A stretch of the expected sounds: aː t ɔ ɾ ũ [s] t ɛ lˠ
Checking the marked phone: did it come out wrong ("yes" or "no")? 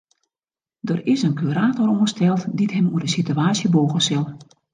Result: no